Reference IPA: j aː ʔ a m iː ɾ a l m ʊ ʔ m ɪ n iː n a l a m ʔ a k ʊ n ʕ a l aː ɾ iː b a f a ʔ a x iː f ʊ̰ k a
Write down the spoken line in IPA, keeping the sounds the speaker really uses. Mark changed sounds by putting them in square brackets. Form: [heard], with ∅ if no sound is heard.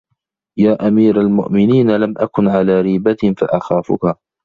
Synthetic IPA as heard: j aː ʔ a m iː ɾ a l m ʊ ʔ m ɪ n iː n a l a m ʔ a k ʊ n ʕ a l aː ɾ iː b a f a ʔ a x [aː] f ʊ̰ k a